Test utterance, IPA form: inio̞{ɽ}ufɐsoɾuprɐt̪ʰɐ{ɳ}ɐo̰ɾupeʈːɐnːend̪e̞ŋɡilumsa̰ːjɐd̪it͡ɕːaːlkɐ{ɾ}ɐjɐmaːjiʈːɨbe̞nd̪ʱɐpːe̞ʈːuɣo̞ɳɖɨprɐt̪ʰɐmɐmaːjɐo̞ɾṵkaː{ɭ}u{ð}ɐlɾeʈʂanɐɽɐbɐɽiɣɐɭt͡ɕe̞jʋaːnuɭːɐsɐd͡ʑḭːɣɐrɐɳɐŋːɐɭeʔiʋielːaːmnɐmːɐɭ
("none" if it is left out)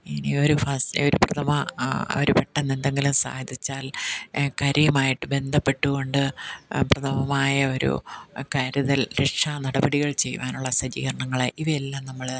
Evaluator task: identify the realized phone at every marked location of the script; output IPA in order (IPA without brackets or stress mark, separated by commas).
ɾ, m, ɾ, ɾ, ð